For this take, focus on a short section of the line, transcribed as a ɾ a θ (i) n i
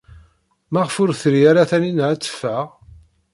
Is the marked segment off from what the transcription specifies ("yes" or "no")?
yes